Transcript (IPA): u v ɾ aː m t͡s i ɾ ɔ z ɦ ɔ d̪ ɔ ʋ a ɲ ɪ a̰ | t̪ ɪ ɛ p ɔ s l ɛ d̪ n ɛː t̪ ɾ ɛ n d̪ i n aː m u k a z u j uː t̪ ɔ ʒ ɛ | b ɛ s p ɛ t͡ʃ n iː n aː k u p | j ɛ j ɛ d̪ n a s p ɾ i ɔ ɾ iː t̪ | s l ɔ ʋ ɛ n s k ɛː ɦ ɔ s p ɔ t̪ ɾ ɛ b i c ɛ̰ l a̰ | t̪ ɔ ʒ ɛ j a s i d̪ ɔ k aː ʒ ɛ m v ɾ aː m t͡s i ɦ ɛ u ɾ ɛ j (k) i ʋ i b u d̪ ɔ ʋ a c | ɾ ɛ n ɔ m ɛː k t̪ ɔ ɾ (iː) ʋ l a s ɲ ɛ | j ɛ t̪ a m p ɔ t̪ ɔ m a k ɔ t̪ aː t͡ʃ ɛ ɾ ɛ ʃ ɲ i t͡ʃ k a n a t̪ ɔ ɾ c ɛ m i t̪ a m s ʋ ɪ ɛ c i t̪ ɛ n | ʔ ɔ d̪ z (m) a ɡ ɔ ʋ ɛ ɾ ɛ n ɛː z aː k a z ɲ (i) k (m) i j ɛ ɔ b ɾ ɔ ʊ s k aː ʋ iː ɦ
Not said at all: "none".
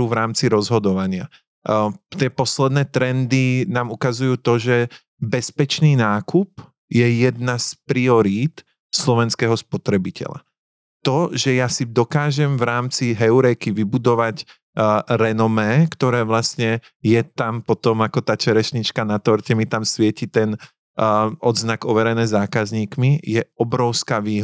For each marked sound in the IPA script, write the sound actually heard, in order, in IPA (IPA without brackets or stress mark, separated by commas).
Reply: k, ɛː, n, iː, m